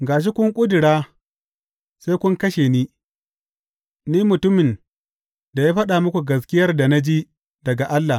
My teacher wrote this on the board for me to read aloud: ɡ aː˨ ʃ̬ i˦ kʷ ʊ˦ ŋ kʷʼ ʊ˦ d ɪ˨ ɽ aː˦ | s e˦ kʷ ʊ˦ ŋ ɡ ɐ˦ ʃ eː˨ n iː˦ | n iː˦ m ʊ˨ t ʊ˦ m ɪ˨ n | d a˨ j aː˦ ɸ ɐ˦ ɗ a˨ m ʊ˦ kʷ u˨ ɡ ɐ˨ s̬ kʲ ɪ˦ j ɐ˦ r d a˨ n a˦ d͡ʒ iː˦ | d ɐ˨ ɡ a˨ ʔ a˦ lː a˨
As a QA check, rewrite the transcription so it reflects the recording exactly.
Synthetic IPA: ɡ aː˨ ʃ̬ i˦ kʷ ʊ˦ ŋ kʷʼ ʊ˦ d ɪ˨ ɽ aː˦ | s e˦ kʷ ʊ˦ ŋ k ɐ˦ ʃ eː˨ n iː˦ | n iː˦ m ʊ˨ t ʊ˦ m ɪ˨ n | d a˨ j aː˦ ɸ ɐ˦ ɗ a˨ m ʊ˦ kʷ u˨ ɡ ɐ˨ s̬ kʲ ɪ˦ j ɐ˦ r d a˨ n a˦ d͡ʒ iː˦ | d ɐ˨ ɡ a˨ ʔ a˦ lː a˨